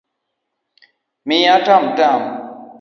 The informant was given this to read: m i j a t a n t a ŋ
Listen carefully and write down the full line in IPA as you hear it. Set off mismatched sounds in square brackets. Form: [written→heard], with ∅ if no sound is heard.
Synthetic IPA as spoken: m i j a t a [n→m] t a [ŋ→m]